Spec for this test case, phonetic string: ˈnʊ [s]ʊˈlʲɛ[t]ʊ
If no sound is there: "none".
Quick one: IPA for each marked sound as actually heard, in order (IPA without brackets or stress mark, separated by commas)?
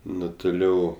t, none